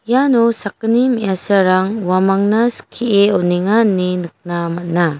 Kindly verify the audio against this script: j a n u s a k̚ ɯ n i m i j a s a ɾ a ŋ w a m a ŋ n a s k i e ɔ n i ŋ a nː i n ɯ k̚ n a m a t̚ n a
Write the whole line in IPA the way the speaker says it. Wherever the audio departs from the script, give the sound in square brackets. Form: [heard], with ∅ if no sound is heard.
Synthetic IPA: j a n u s a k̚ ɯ n i m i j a s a ɾ a ŋ w a m a ŋ n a s [kʰ] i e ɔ n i ŋ a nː i n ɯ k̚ n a m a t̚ n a